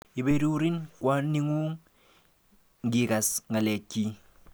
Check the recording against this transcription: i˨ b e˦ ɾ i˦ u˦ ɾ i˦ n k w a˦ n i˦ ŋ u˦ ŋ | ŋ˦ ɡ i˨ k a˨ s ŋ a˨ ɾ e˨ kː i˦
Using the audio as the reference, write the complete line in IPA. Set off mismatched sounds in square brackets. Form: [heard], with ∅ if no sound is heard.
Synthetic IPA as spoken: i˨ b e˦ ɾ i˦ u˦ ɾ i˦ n k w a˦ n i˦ ŋ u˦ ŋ | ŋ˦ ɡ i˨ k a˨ s ŋ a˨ [l] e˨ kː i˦